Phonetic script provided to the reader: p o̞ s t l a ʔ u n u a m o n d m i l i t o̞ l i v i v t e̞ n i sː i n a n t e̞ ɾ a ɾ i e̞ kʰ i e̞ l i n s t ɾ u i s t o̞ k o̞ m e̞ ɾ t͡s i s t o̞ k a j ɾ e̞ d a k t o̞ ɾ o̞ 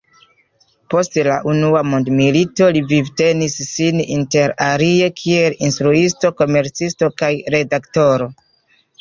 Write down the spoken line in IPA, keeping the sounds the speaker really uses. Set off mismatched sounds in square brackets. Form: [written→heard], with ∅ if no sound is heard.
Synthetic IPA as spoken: p o̞ s t l a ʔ u n u a m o n d m i l i t o̞ l i v i v t e̞ n i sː i n [a→i] n t e̞ ɾ a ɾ i e̞ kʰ i e̞ l i n s t ɾ u i s t o̞ k o̞ m e̞ ɾ t͡s i s t o̞ k a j ɾ e̞ d a k t o̞ ɾ o̞

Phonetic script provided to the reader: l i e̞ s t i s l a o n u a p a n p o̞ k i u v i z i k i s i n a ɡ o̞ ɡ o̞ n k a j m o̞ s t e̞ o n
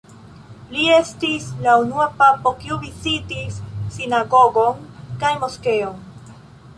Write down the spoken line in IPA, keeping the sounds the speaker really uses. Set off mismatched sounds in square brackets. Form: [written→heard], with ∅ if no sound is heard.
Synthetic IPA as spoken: l i e̞ s t i s l a [o→u] n u a p a [n→∅] p o̞ k i u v i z i [k→t] i [s→sː] i n a ɡ o̞ ɡ o̞ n k a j m o̞ s [t→k] e̞ o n

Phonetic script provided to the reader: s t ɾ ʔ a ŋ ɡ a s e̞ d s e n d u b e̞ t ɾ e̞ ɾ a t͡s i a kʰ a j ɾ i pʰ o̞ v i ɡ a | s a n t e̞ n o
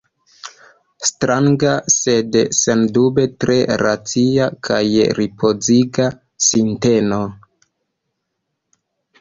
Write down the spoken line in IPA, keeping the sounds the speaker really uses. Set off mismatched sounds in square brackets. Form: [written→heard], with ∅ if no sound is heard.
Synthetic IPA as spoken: s t ɾ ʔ a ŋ ɡ a s e̞ d s e n d u b e̞ t ɾ e̞ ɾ a t͡s i a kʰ a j ɾ i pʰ o̞ [v→z] i ɡ a | s [a→i] n t e̞ n o

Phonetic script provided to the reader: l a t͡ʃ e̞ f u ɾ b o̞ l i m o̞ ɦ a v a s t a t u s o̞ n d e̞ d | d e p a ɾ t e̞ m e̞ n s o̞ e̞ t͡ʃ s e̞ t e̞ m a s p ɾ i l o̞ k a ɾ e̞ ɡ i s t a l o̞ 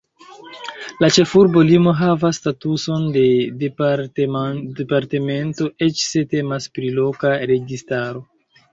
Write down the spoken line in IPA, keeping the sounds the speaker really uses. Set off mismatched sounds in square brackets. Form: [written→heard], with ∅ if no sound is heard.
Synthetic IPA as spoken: l a t͡ʃ e̞ f u ɾ b o̞ l i m o̞ ɦ a v a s t a t u s o̞ n d e̞ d | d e p a ɾ t e̞ m e̞ n [s→t] o̞ e̞ t͡ʃ s e̞ t e̞ m a s p ɾ i l o̞ k a ɾ e̞ ɡ i s t a [l→ɾ] o̞

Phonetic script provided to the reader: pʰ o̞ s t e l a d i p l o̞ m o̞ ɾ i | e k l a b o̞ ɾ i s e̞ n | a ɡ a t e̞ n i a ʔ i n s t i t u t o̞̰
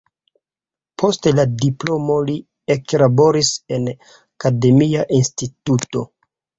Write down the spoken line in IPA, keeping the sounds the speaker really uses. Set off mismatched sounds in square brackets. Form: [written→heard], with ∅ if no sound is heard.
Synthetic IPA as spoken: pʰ o̞ s t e l a d i p l o̞ m o̞ [ɾ→l] i | e k l a b o̞ ɾ i s e̞ n | a [ɡ→k] a [t→d] e̞ [n→m] i a ʔ i n s t i t u t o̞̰

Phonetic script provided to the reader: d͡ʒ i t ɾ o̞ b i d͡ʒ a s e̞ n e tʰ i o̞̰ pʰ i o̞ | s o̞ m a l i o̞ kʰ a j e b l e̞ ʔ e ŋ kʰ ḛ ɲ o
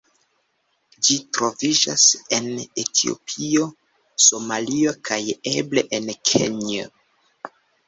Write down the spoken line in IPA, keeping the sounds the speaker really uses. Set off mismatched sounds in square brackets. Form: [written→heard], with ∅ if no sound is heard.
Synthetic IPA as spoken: d͡ʒ i t ɾ o̞ [b→v] i d͡ʒ a s e̞ n e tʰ i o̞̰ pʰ i o̞ | s o̞ m a l i o̞ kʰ a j e b l e̞ ʔ e [ŋ→n] kʰ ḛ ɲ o

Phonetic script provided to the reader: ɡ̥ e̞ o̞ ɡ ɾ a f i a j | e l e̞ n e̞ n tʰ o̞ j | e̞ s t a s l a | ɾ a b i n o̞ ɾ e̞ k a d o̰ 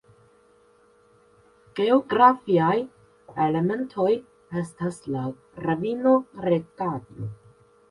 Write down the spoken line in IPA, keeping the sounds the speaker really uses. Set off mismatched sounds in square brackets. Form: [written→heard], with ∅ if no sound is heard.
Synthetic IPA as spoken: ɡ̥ e̞ o̞ ɡ ɾ a f i a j | e l e̞ [n→m] e̞ n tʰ o̞ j | e̞ s t a s l a | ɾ a [b→v] i n o̞ ɾ e̞ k a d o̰

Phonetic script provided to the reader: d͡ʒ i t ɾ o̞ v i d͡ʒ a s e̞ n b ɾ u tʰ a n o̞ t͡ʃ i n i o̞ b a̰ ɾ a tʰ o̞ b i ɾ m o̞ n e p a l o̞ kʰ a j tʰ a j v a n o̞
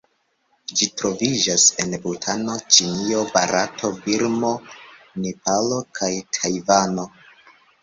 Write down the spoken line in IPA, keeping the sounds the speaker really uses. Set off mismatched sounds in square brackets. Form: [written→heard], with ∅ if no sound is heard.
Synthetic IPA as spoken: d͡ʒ i t ɾ o̞ v i d͡ʒ a s e̞ n b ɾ u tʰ a n o̞ t͡ʃ i n i o̞ b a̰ ɾ a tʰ o̞ b i ɾ m o̞ n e p a l o̞ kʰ a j tʰ a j v a n o̞

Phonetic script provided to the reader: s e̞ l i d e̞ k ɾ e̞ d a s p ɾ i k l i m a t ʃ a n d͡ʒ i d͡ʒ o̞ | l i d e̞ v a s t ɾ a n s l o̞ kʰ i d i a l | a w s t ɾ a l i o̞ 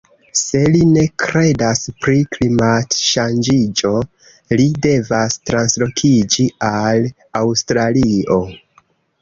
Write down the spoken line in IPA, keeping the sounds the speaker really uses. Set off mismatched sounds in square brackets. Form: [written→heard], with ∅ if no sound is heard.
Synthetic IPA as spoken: s e̞ l i [d→n] e̞ k ɾ e̞ d a s p ɾ i k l i m a t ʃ a n d͡ʒ i d͡ʒ o̞ | l i d e̞ v a s t ɾ a n s l o̞ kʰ i [d→d͡ʒ] i a l | a w s t ɾ a l i o̞

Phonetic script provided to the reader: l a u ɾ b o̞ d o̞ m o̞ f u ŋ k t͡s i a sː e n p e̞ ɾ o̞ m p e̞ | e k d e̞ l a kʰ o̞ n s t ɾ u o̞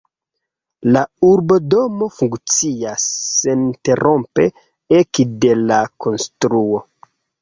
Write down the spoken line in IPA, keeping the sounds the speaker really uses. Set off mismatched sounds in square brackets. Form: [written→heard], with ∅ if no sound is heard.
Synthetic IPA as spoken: l a u ɾ b o̞ d o̞ m o̞ f u ŋ k t͡s i a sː e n [p→t] e̞ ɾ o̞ m p e̞ | e k d e̞ l a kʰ o̞ n s t ɾ u o̞

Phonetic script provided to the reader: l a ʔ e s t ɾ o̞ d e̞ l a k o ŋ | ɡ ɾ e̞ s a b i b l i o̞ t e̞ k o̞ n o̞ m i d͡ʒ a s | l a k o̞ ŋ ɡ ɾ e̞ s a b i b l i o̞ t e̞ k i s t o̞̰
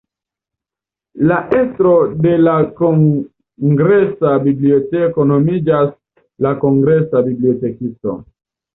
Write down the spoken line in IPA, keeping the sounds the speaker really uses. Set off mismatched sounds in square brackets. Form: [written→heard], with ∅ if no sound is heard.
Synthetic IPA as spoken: l a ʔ e s t ɾ o̞ d e̞ l a k o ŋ | ɡ ɾ e̞ s a b i b l i o̞ t e̞ k o̞ n o̞ m i d͡ʒ a s | l a k o̞ ŋ ɡ ɾ e̞ s a b i b l i o̞ t e̞ k i s t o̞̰

